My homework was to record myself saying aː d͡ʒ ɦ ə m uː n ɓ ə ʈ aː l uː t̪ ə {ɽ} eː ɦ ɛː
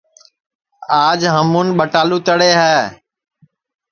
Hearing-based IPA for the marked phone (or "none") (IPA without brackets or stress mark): ɽ